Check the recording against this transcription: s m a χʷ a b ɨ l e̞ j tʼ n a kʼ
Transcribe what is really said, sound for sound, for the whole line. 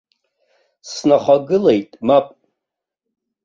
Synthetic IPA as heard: s n a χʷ a ɡ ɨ l e̞ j tʼ m a pʼ